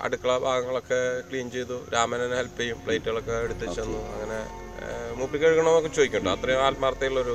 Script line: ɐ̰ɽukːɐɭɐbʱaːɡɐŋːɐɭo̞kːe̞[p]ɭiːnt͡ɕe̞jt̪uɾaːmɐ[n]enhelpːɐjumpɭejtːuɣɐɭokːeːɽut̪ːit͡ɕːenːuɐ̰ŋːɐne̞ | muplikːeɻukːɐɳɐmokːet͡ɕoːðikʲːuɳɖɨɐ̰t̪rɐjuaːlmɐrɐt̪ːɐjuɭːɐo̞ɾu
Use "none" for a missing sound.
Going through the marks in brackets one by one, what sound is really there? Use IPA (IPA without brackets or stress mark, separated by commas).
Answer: k, n